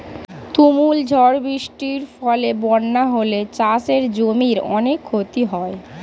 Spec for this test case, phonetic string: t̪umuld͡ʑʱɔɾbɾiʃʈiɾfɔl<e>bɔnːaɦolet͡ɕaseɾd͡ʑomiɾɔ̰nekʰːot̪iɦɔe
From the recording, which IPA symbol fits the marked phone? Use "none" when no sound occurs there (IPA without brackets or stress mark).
e